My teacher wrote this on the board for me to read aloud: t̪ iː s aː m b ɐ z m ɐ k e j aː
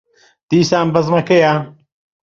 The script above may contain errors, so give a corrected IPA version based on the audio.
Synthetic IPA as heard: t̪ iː s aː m b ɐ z m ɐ k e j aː